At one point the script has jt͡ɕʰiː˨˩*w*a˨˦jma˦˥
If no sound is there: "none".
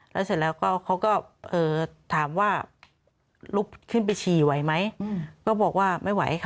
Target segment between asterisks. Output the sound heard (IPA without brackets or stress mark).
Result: w